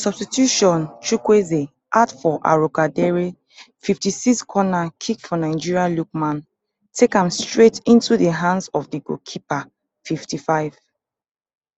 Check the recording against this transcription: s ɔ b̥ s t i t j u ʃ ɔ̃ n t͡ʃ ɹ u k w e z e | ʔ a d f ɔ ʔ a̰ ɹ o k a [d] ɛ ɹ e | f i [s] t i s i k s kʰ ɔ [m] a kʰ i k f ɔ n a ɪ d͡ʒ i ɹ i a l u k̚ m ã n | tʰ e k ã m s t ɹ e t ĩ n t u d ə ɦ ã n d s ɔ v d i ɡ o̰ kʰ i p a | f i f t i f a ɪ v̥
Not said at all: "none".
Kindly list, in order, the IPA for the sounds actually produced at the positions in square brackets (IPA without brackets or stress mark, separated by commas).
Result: d, f, n